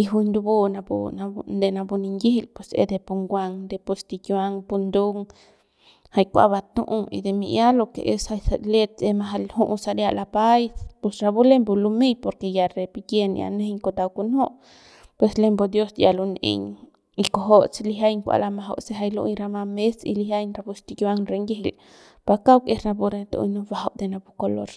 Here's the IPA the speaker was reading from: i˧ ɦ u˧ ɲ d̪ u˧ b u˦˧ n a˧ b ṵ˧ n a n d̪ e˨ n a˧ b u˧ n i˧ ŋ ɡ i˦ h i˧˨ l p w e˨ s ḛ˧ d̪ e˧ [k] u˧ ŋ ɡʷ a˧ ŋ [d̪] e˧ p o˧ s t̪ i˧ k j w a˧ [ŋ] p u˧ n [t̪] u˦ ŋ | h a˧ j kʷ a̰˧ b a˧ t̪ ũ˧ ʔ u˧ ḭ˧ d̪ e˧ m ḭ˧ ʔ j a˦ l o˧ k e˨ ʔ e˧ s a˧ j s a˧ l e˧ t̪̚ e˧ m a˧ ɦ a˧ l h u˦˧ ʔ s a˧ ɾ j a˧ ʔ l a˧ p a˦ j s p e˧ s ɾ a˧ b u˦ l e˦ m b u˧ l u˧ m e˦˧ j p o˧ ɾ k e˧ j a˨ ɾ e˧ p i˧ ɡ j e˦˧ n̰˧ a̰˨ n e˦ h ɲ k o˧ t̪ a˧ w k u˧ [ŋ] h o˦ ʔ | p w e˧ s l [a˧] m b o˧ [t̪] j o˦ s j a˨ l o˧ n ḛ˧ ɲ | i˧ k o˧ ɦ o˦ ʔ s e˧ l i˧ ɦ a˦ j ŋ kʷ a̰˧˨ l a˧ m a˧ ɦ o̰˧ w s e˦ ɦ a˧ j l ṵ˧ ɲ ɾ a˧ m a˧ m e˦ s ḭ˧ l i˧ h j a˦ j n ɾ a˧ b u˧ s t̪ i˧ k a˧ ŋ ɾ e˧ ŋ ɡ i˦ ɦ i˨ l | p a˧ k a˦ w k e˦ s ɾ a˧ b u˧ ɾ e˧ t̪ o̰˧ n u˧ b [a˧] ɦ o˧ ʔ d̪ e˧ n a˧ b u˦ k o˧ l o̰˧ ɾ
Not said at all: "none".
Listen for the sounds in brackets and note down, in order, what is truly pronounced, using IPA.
p, d̪, ŋ, d̪, n, e˧, d̪, a˧

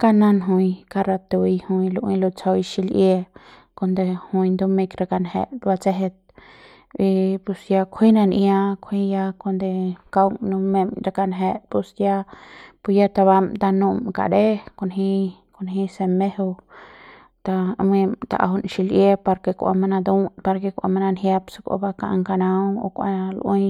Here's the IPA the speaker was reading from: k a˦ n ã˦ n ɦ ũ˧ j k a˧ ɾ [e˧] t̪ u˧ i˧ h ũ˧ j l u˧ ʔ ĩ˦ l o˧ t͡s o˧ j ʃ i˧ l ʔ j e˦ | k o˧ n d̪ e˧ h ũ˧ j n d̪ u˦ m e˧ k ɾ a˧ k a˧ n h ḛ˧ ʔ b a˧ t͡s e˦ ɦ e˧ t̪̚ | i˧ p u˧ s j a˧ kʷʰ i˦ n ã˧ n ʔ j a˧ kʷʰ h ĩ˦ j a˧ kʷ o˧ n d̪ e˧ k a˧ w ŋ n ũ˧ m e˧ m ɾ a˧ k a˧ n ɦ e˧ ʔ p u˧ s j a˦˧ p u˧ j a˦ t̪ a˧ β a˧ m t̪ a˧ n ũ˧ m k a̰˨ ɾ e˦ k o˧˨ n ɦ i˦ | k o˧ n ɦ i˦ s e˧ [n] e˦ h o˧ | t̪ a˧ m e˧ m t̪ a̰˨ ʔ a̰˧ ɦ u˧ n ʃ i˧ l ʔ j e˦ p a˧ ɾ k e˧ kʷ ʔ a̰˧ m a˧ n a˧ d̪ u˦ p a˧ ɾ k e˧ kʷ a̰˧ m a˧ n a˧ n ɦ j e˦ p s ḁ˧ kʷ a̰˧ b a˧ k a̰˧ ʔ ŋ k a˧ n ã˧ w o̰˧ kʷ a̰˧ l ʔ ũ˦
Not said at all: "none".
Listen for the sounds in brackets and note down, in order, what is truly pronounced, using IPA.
a˧, m

